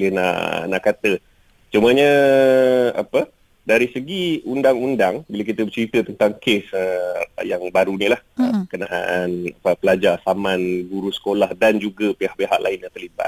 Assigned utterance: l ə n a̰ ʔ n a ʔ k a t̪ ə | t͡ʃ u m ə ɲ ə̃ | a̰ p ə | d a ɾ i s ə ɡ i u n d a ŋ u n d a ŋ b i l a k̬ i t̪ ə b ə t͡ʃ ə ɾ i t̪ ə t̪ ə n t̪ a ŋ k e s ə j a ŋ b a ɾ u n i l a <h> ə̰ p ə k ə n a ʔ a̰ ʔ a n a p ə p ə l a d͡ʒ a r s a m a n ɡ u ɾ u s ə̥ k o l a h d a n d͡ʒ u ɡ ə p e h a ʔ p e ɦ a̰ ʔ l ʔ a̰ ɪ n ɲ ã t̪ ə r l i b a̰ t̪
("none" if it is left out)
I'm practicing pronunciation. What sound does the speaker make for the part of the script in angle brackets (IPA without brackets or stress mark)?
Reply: h